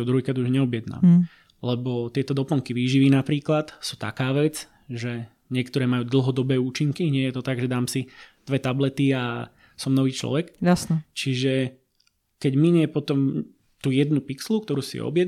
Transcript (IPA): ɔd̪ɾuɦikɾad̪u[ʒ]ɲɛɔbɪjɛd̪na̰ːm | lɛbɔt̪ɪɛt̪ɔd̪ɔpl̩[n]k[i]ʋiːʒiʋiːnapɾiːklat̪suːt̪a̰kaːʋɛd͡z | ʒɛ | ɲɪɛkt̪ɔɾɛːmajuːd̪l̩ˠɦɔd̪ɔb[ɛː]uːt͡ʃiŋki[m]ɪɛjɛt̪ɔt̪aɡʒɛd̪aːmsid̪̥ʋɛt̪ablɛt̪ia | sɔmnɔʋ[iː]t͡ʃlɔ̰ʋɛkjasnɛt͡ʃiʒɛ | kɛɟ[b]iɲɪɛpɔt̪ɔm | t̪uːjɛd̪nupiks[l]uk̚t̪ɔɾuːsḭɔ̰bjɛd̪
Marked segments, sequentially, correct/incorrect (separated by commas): correct, incorrect, correct, correct, incorrect, correct, incorrect, correct